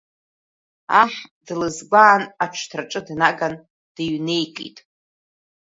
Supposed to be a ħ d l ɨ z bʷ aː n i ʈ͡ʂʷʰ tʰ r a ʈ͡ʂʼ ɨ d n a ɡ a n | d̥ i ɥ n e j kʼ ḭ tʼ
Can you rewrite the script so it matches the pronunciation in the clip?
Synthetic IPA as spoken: a ħ d l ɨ z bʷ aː n a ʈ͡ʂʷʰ tʰ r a ʈ͡ʂʼ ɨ d n a ɡ a n | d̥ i ɥ n e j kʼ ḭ tʼ